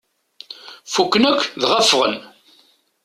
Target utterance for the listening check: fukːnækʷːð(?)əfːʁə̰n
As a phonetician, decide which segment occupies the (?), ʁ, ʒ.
ʁ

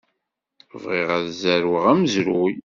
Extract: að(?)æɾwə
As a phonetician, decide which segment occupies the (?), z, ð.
z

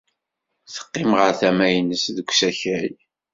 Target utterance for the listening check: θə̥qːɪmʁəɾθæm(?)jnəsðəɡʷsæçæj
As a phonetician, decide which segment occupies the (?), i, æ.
æ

